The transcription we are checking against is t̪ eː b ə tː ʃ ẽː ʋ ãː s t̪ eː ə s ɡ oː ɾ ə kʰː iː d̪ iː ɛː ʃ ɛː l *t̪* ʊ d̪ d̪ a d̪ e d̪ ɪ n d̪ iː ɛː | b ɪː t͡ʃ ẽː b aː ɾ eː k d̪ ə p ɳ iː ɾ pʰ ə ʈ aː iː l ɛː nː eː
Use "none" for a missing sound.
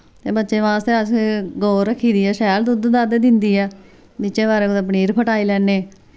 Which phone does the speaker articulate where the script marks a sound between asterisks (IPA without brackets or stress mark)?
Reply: d̪